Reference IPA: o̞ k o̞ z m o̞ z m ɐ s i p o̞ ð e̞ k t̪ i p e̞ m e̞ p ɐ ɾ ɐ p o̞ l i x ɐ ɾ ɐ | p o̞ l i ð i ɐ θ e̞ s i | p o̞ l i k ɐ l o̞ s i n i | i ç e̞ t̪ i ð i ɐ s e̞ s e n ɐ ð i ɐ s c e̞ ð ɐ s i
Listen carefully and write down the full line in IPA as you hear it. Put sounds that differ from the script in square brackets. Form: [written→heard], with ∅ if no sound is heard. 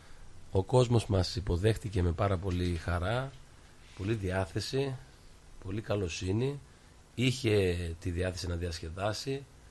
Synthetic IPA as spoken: o̞ k o̞ z m o̞ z m ɐ s i p o̞ ð e̞ [k→x] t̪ i [p→c] e̞ m e̞ p ɐ ɾ ɐ p o̞ l i x ɐ ɾ ɐ | p o̞ l i ð i ɐ θ e̞ s i | p o̞ l i k ɐ l o̞ s i n i | i ç e̞ t̪ i ð i ɐ [s→θ] e̞ s [e→i] n ɐ ð i ɐ s c e̞ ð ɐ s i